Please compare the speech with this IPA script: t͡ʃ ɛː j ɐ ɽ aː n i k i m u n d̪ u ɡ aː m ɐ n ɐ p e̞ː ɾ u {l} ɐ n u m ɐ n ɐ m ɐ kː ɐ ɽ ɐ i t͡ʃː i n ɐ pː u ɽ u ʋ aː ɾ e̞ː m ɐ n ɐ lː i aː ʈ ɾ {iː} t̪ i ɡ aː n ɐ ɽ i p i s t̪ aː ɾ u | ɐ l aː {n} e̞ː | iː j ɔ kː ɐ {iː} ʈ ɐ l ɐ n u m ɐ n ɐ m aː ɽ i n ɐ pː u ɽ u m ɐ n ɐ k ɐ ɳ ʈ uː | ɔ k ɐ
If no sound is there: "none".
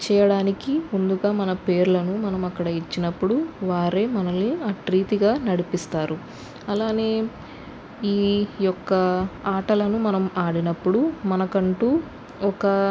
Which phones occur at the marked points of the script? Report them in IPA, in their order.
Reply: l, iː, n, aː

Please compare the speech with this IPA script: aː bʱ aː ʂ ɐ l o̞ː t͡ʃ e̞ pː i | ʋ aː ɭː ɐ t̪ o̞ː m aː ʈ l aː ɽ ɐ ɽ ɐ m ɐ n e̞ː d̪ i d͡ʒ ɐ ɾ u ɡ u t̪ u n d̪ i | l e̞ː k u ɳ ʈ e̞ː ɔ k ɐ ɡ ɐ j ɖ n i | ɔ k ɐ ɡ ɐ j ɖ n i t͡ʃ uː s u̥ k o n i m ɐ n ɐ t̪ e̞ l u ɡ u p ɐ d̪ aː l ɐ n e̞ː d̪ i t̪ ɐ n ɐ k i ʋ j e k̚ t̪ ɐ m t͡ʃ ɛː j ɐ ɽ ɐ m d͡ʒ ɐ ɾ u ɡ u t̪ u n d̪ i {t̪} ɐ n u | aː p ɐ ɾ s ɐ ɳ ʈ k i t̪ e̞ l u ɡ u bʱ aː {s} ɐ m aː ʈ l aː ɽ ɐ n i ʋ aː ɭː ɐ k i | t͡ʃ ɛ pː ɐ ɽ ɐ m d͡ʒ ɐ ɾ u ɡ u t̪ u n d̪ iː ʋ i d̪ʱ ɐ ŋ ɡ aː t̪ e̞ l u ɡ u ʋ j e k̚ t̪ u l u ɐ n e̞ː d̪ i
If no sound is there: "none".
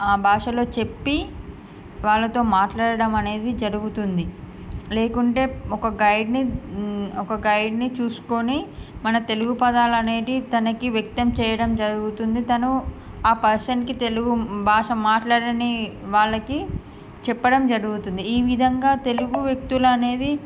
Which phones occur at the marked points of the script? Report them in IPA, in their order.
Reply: t̪, ʂ

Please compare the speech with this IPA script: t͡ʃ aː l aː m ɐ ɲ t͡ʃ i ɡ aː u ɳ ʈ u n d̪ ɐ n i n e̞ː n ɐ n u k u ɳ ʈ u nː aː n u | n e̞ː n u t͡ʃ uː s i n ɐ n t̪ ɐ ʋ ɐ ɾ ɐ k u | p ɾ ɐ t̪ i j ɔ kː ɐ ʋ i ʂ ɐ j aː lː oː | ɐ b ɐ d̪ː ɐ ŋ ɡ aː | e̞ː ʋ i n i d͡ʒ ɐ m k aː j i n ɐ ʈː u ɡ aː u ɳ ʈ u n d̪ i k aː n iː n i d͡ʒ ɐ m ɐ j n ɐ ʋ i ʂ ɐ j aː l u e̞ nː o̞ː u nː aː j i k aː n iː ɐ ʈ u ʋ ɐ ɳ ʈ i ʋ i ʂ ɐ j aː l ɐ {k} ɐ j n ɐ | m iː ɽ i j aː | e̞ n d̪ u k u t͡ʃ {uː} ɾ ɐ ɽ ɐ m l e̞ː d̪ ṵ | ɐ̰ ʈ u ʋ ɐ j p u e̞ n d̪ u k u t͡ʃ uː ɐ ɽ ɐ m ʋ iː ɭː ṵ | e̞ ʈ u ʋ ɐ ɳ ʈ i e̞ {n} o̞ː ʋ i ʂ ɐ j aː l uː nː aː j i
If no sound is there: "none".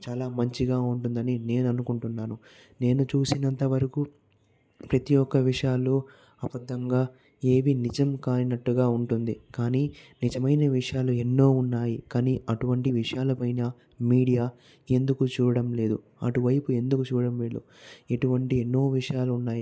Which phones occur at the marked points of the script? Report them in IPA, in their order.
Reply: p, uː, nː

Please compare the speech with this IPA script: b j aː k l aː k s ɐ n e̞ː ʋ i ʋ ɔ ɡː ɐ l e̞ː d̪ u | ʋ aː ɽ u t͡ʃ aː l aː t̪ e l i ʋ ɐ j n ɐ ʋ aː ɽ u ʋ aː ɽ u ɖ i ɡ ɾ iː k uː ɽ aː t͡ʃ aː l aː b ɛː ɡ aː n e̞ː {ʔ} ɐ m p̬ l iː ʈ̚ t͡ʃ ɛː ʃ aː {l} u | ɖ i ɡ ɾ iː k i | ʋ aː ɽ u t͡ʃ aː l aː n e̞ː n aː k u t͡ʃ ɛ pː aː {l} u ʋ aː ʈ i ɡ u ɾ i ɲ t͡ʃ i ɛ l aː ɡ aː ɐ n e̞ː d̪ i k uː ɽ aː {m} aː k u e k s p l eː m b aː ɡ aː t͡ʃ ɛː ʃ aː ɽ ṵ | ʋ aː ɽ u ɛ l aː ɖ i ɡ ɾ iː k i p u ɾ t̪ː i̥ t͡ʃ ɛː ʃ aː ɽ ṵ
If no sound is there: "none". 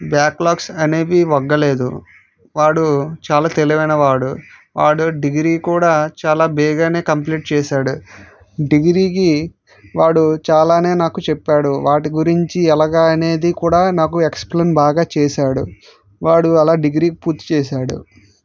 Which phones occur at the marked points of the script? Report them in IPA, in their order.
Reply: k, ɽ, ɽ, n

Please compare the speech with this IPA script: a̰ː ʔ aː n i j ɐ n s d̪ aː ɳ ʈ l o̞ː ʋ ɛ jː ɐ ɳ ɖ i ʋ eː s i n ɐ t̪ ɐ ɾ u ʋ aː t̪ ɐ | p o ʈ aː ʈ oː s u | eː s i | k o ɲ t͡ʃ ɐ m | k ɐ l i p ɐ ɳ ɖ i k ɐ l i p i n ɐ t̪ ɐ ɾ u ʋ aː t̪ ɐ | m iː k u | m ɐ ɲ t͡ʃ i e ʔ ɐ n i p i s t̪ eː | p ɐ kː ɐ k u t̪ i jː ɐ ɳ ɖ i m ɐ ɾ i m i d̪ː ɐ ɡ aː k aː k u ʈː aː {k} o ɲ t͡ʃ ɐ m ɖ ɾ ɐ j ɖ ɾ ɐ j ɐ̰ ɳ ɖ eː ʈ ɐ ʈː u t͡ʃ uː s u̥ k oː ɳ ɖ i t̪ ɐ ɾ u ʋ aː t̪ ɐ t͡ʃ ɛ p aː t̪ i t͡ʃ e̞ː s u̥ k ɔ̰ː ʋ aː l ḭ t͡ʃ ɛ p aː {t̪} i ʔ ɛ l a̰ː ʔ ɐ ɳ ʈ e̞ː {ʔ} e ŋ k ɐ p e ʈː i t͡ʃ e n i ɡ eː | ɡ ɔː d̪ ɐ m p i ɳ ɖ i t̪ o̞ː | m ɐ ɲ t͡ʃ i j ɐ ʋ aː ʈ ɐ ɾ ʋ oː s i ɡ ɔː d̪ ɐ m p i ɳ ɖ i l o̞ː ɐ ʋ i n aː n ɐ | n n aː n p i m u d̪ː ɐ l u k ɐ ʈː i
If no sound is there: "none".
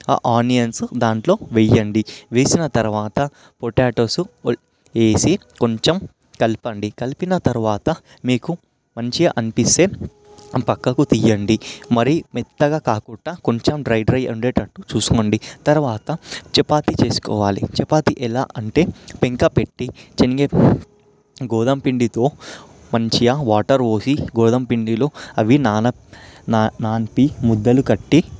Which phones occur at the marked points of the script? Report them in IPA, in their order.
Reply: k, t̪, p

